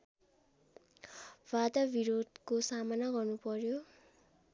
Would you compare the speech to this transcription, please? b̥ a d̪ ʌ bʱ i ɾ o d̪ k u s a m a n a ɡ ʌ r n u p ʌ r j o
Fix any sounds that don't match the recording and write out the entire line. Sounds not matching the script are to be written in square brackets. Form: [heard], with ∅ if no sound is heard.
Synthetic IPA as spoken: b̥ a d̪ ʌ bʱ i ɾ o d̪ k [o] s a m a n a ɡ ʌ r n u p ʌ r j o